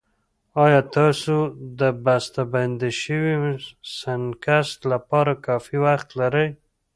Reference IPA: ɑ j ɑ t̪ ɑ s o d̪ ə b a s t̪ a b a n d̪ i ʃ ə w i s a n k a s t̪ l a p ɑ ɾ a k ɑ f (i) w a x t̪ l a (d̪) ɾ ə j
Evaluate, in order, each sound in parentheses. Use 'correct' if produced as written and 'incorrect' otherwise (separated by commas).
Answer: correct, incorrect